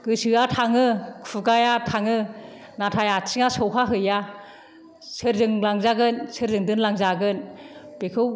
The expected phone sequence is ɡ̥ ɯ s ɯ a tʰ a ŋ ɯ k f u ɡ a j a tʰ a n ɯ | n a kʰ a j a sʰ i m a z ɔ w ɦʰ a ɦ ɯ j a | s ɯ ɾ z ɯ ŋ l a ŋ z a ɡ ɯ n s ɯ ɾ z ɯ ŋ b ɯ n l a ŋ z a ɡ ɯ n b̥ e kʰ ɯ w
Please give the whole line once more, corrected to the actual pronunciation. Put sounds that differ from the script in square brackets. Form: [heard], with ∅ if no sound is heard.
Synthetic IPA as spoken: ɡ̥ ɯ s ɯ a tʰ a ŋ ɯ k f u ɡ a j a tʰ a [ŋ] ɯ | n a [tʰ] a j a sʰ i [ŋ] a [s] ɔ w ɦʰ a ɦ ɯ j a | s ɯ ɾ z ɯ ŋ l a ŋ z a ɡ ɯ n s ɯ ɾ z ɯ ŋ [d] ɯ n l a ŋ z a ɡ ɯ n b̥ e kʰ ɯ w